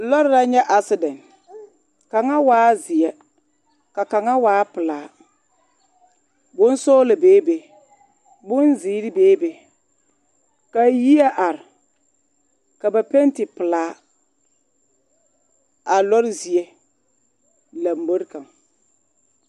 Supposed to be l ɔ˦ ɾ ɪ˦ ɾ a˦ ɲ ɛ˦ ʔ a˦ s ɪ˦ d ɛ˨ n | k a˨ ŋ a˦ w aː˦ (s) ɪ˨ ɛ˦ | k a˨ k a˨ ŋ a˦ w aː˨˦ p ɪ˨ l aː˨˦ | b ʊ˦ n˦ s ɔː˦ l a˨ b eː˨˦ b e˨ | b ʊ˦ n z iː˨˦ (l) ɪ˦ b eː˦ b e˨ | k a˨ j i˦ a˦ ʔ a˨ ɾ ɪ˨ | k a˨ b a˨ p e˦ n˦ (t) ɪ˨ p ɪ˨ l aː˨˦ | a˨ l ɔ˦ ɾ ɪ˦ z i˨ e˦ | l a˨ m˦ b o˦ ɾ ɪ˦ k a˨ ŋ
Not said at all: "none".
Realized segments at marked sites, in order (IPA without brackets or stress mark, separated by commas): z, ɾ, t